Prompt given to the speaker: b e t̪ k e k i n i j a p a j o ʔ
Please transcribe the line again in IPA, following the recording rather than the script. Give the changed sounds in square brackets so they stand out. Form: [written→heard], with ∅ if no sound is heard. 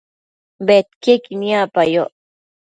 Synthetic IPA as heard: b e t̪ k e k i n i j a p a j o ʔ